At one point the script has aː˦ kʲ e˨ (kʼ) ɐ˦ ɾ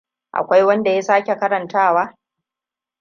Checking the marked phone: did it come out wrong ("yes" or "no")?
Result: yes